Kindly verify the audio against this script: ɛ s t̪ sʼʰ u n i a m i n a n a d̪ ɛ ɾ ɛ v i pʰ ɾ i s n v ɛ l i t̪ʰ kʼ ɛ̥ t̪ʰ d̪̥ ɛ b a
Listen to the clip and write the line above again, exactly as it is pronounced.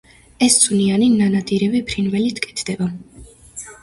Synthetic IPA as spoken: ɛ s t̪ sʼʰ u n i a n i n a n a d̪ i ɾ ɛ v i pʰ ɾ i n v ɛ l i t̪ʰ kʼ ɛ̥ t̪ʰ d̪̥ ɛ b a

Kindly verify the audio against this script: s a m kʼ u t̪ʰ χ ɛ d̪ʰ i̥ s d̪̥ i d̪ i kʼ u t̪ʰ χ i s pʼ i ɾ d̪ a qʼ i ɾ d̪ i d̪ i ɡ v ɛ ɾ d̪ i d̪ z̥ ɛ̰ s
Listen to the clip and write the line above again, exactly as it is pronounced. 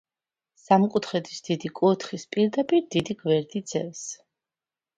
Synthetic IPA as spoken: s a m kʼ u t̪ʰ χ ɛ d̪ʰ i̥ s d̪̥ i d̪ i kʼ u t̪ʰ χ i s pʼ i ɾ d̪ a pʼ i ɾ d̪ i d̪ i ɡ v ɛ ɾ d̪ i d̪ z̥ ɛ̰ s

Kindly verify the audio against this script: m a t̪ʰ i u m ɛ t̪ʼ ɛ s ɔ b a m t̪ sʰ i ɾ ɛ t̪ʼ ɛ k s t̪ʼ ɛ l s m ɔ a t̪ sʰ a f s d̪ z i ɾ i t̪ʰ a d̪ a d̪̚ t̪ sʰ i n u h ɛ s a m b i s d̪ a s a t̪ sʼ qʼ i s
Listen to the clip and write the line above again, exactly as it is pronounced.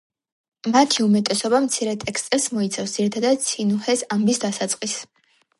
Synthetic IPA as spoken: m a t̪ʰ i u m ɛ t̪ʼ ɛ s ɔ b a m t̪ sʰ i ɾ ɛ t̪ʼ ɛ k s t̪ʼ ɛ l s m ɔ i t̪ sʰ a f s d̪ z i ɾ i t̪ʰ a d̪ a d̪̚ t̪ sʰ i n u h ɛ s a m b i s d̪ a s a t̪ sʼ qʼ i s

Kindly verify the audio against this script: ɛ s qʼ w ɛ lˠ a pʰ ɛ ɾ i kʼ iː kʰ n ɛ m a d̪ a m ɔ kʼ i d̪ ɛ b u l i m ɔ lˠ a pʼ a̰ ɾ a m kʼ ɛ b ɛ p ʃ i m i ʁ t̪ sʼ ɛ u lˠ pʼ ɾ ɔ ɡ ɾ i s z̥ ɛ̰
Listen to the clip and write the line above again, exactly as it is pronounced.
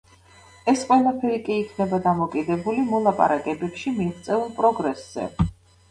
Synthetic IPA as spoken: ɛ s qʼ w ɛ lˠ a pʰ ɛ ɾ i kʼ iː kʰ n ɛ b a d̪ a m ɔ kʼ i d̪ ɛ b u l i m ɔ lˠ a pʼ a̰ ɾ a kʼ ɛ b ɛ p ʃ i m i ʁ t̪ sʼ ɛ u lˠ pʼ ɾ ɔ ɡ ɾ ɛ s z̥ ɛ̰

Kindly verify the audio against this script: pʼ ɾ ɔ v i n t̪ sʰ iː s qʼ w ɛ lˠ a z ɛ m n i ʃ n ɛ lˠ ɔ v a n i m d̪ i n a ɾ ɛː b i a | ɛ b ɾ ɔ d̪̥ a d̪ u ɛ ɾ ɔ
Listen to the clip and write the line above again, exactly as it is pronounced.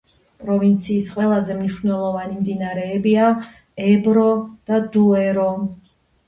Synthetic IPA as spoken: pʼ ɾ ɔ v i n t̪ sʰ iː s qʼ w ɛ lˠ a z ɛ m n i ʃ n ɛ lˠ ɔ v a n i m d̪ i n a ɾ ɛː b i a | ɛ b ɾ ɔ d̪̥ a d̪ u ɛ ɾ ɔ

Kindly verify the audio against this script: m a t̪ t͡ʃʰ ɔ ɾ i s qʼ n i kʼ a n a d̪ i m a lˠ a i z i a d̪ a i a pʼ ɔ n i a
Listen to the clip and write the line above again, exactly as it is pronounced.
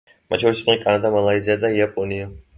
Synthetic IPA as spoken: m a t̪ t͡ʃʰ ɔ ɾ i s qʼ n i kʼ a n a d̪ a m a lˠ a i z i a d̪ a i a pʼ ɔ n i a

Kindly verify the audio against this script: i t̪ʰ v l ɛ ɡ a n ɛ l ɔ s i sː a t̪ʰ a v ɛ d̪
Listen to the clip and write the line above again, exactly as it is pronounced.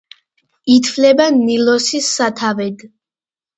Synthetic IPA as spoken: i t̪ʰ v l ɛ b a n i l ɔ s i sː a t̪ʰ a v ɛ d̪

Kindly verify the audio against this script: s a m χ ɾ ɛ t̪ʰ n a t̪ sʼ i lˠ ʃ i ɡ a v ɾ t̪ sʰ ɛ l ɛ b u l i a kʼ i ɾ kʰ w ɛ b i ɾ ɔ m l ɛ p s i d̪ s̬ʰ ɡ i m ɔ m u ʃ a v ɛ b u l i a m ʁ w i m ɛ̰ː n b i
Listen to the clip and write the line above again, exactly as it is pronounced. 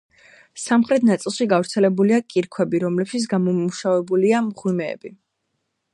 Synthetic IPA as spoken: s a m χ ɾ ɛ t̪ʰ n a t̪ sʼ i lˠ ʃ i ɡ a v ɾ t̪ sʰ ɛ l ɛ b u l i a kʼ i ɾ kʰ w ɛ b i ɾ ɔ m l ɛ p ʃ i t̪ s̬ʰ ɡ a m ɔ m u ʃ a v ɛ b u l i a m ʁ w i m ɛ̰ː b i

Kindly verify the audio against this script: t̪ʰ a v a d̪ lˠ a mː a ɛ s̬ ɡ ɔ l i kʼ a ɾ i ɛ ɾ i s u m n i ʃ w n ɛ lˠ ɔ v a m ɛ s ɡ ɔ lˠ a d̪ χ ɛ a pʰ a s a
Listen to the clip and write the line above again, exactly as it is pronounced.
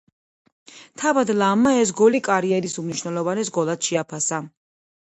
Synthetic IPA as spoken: t̪ʰ a v a d̪ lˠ a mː a ɛ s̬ ɡ ɔ l i kʼ a ɾ i ɛ ɾ i s u m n i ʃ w n ɛ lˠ ɔ v a n ɛ s ɡ ɔ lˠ a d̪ ʃ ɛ a pʰ a s a

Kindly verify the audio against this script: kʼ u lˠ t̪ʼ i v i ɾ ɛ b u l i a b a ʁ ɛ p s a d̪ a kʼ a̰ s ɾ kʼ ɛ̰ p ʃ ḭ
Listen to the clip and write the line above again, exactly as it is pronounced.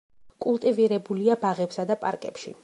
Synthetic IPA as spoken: kʼ u lˠ t̪ʼ i v i ɾ ɛ b u l i a b a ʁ ɛ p s a d̪ a pʼ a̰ ɾ kʼ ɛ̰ p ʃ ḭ

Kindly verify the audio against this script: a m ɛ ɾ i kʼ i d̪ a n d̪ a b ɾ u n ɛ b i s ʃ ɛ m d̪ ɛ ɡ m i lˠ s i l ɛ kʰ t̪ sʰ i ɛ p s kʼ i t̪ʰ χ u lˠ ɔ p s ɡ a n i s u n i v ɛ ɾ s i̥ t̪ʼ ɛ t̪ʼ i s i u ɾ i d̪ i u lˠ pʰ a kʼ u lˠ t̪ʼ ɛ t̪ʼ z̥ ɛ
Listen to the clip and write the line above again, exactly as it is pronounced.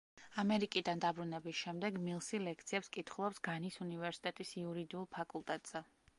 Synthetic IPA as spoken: a m ɛ ɾ i kʼ i d̪ a n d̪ a b ɾ u n ɛ b i s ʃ ɛ m d̪ ɛ ɡ m i lˠ s i l ɛ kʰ t̪ sʰ i ɛ p s kʼ i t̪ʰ χ u lˠ ɔ p s ɡ a n i s u n i v ɛ ɾ s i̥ t̪ʼ ɛ t̪ʼ i s i u ɾ i d̪ i u lˠ pʰ a kʼ u lˠ t̪ʼ ɛ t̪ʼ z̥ ɛ

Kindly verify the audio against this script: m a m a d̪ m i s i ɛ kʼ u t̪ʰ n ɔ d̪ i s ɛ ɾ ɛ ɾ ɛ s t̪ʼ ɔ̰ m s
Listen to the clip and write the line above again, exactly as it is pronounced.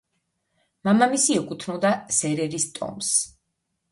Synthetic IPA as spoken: m a m a m i s i ɛ kʼ u t̪ʰ n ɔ d̪ a s ɛ ɾ ɛ ɾ i s t̪ʼ ɔ̰ m s

